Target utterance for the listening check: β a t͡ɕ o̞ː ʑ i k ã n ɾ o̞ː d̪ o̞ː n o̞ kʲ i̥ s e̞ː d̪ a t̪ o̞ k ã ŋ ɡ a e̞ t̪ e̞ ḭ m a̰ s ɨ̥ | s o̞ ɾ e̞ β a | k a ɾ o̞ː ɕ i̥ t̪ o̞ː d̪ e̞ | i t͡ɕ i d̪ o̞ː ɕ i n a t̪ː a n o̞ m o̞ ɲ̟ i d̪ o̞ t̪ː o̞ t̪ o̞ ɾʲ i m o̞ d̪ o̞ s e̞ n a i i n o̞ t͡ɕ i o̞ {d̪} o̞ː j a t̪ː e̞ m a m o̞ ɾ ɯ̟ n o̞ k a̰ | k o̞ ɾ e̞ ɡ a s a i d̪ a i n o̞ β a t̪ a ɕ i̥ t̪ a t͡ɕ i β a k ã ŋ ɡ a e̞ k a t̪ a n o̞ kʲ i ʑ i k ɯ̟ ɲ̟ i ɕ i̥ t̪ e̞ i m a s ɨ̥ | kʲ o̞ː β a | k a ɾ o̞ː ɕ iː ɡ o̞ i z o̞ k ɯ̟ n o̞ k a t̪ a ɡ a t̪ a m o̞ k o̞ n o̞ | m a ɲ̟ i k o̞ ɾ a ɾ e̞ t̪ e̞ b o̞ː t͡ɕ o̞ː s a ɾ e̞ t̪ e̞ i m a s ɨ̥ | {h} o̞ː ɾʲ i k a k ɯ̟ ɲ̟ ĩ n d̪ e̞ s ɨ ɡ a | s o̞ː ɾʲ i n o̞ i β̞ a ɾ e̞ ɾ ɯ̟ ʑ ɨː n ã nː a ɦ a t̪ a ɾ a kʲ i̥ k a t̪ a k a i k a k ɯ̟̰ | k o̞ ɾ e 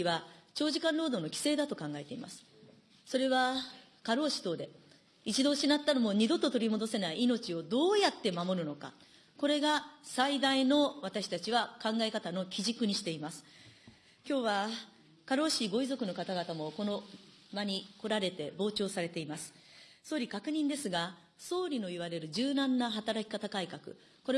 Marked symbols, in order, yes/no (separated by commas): yes, no